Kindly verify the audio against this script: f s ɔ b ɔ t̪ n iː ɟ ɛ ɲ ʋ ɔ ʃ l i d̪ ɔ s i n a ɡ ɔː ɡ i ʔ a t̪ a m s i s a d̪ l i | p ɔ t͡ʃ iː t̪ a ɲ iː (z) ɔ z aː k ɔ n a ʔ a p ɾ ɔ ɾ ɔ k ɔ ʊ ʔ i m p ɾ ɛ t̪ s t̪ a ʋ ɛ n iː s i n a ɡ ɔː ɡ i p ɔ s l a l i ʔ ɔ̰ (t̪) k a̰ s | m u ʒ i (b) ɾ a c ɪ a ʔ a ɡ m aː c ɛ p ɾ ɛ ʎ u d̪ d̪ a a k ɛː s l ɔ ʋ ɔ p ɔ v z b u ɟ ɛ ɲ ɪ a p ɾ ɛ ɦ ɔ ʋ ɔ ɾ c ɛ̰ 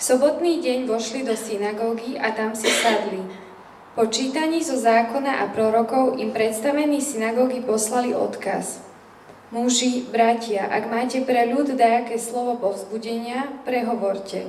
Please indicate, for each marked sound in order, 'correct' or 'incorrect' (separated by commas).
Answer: correct, correct, correct